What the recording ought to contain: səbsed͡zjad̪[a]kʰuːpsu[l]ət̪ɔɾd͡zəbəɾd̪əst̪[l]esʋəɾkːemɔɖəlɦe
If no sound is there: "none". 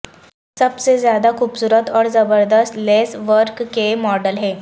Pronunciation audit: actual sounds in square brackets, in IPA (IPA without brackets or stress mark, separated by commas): a, ɾ, l